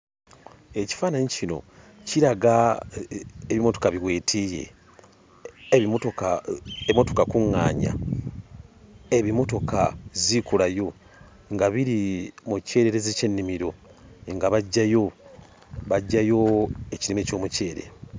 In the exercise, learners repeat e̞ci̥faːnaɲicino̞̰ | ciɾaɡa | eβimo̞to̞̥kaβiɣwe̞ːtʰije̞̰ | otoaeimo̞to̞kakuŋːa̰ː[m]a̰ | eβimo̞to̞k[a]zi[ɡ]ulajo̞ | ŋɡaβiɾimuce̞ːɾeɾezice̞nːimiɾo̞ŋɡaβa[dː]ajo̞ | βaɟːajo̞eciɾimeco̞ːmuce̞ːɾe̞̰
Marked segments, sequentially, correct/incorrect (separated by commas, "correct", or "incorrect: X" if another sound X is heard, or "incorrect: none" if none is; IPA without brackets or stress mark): incorrect: ɲ, correct, incorrect: k, incorrect: ɟː